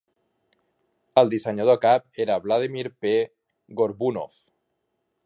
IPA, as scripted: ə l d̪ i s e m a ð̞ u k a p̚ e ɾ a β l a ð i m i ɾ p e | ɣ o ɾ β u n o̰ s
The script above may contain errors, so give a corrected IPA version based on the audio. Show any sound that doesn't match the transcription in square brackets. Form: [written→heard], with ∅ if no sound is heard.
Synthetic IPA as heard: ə l d̪ i s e [m→ɲ] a ð̞ [u→o] k a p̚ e ɾ a β l a ð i m i ɾ p e | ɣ o ɾ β u n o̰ [s→f]